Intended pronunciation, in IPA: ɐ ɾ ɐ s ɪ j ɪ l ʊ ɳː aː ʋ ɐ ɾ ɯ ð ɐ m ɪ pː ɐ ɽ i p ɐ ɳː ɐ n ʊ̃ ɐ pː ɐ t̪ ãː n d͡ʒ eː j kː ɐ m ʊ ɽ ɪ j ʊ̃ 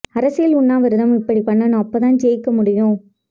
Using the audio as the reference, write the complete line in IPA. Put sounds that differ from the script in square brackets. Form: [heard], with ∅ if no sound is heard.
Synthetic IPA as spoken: ɐ ɾ ɐ s ɪ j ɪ l ʊ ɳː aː ʋ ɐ ɾ ɯ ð ɐ m ɪ pː ɐ ɽ i p ɐ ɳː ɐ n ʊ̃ ɐ pː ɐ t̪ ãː n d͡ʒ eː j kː ɐ m ʊ ɽ ɪ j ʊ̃

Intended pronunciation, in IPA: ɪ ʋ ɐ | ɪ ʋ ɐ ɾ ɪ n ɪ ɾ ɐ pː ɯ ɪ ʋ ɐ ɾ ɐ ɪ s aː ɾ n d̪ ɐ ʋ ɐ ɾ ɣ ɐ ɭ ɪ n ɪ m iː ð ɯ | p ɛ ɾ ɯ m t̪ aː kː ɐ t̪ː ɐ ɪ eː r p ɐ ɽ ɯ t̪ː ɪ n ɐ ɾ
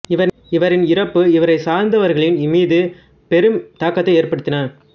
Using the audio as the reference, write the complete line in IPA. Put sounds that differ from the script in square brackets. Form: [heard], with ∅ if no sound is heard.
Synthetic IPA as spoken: ɪ ʋ ɐ | ɪ ʋ ɐ ɾ ɪ n ɪ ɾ ɐ pː ɯ ɪ ʋ ɐ ɾ ɐ ɪ s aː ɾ n d̪ ɐ ʋ ɐ ɾ ɣ ɐ ɭ ɪ n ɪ m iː ð ɯ | p ɛ ɾ ɯ m t̪ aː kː ɐ t̪ː ɐ ɪ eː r p ɐ ɽ ɯ t̪ː ɪ n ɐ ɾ

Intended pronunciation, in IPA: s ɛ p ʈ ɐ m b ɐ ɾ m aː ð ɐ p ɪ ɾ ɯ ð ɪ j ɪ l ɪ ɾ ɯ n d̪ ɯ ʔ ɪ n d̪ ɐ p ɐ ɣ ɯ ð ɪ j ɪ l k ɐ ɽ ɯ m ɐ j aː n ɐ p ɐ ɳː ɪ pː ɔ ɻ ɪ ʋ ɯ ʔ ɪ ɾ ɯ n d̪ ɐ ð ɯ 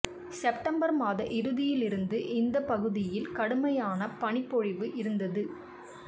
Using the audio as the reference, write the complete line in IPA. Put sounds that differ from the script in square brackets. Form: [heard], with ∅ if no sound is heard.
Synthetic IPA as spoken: s ɛ p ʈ ɐ m b ɐ ɾ m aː ð ɐ [ʔ] ɪ ɾ ɯ ð ɪ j ɪ l ɪ ɾ ɯ n d̪ ɯ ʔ ɪ n d̪ ɐ p ɐ ɣ ɯ ð ɪ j ɪ l k ɐ ɽ ɯ m ɐ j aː n ɐ p ɐ [ɳ] ɪ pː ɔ ɻ ɪ ʋ ɯ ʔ ɪ ɾ ɯ n d̪ ɐ ð ɯ

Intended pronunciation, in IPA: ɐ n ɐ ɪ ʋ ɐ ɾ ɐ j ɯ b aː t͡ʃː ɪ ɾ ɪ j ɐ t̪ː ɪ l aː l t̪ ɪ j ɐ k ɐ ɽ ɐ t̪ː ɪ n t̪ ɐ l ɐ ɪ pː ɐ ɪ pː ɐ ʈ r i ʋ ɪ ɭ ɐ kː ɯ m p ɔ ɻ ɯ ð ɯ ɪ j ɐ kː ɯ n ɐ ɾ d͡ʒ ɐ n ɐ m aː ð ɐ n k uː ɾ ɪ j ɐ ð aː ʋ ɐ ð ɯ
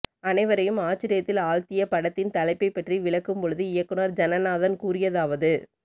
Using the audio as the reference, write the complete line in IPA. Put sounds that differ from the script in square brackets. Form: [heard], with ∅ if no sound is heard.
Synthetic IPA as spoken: ɐ n ɐ ɪ ʋ ɐ ɾ ɐ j ɯ [m] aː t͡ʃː ɪ ɾ ɪ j ɐ t̪ː ɪ l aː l t̪ ɪ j ɐ [p] ɐ ɽ ɐ t̪ː ɪ n t̪ ɐ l ɐ ɪ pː ɐ ɪ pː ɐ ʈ r i ʋ ɪ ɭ ɐ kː ɯ m p ɔ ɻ ɯ ð ɯ ɪ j ɐ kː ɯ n ɐ ɾ d͡ʒ ɐ n ɐ [n] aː ð ɐ n k uː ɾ ɪ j ɐ ð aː ʋ ɐ ð ɯ

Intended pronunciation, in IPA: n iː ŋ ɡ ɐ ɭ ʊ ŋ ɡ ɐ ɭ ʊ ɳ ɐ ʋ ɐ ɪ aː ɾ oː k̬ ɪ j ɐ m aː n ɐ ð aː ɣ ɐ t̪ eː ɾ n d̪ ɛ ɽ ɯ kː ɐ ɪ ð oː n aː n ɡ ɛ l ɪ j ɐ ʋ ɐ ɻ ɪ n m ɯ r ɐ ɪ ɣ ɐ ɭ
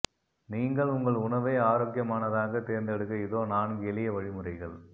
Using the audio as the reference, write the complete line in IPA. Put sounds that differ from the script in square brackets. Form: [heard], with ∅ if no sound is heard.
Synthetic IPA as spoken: n iː ŋ ɡ ɐ ɭ ʊ ŋ ɡ ɐ ɭ ʊ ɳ ɐ ʋ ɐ ɪ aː ɾ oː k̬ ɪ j ɐ m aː n ɐ ð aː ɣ ɐ t̪ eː ɾ n d̪ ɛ ɽ ɯ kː ɐ ɪ ð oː n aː n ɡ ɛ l ɪ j ɐ ʋ ɐ ɻ ɪ [∅] m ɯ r ɐ ɪ ɣ ɐ ɭ

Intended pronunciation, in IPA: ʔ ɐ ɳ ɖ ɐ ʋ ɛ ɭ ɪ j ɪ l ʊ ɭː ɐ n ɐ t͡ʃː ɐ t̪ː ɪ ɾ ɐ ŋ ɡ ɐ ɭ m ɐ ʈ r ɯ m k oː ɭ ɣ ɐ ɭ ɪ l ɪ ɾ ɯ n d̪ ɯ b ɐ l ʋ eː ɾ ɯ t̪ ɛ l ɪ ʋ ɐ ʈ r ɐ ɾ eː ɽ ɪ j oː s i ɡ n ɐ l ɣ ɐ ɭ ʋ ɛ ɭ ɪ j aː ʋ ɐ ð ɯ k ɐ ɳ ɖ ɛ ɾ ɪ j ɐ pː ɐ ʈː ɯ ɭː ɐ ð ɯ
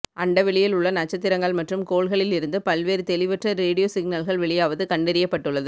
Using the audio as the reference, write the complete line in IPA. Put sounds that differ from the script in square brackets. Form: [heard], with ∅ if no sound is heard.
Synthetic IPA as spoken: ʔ ɐ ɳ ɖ ɐ ʋ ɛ ɭ ɪ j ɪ l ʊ ɭː ɐ n ɐ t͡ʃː ɐ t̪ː ɪ ɾ ɐ ŋ ɡ ɐ ɭ m ɐ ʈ r ɯ m k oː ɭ ɣ ɐ ɭ ɪ l ɪ ɾ ɯ n d̪ ɯ [p] ɐ l ʋ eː ɾ ɯ t̪ ɛ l ɪ ʋ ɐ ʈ r ɐ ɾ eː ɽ ɪ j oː s [ɪ] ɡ n ɐ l ɣ ɐ ɭ ʋ ɛ ɭ ɪ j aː ʋ ɐ ð ɯ k ɐ ɳ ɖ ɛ ɾ ɪ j ɐ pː ɐ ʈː ɯ ɭː ɐ ð ɯ

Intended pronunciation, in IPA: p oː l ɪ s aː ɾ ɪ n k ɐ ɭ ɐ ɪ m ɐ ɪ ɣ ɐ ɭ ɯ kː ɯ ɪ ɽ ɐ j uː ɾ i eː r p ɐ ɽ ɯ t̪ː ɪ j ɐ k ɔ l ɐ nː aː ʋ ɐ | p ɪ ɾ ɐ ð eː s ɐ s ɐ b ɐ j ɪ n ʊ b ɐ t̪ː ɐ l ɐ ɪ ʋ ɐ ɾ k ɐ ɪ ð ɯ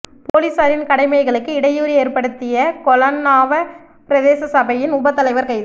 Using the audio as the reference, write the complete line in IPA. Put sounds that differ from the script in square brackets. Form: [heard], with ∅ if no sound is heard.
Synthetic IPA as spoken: p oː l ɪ s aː ɾ ɪ n k ɐ [ɽ] ɐ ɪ m ɐ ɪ ɣ ɐ ɭ ɯ kː ɯ ɪ ɽ ɐ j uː ɾ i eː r p ɐ ɽ ɯ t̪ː ɪ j ɐ k ɔ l ɐ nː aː ʋ ɐ | p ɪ ɾ ɐ ð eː s ɐ s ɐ b ɐ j ɪ n ʊ b ɐ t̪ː ɐ l ɐ ɪ ʋ ɐ ɾ k ɐ ɪ ð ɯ

